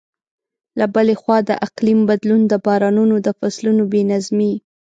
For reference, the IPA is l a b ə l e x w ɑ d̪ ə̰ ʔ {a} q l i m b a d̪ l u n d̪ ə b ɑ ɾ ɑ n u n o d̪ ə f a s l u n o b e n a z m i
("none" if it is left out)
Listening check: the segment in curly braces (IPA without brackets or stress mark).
a